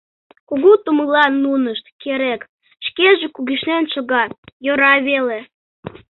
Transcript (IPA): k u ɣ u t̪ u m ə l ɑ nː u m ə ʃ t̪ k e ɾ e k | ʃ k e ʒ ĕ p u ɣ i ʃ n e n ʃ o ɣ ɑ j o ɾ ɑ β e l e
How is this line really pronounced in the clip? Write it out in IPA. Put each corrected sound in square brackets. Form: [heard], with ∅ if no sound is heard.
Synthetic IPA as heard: k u ɣ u t̪ u m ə l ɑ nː u [n] ə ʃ t̪ k e ɾ e k | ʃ k e ʒ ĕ [k] u ɣ i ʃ n e n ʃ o ɣ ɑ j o ɾ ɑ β e l e